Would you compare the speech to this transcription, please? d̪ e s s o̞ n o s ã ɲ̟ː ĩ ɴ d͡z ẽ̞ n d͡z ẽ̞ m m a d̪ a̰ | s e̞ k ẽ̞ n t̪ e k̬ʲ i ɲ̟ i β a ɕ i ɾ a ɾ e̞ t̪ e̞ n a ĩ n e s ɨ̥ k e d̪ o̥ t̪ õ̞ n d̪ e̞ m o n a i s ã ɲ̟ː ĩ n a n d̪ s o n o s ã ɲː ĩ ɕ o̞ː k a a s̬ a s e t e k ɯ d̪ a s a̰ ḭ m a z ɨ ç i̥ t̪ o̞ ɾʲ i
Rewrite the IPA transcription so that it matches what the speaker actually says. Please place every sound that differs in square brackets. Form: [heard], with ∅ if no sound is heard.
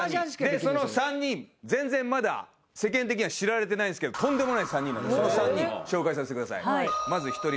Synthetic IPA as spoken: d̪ e s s o̞ n o s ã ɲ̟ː ĩ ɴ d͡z ẽ̞ n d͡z ẽ̞ m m a d̪ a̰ | s e̞ k ẽ̞ n t̪ e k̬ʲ i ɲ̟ i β a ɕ i ɾ a ɾ e̞ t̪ e̞ n a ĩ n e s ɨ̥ k e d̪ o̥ t̪ õ̞ n d̪ e̞ m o n a i s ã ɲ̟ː ĩ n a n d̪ s o n o s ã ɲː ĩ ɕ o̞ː k a [i] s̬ a s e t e k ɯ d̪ a s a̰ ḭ m a z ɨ ç i̥ t̪ o̞ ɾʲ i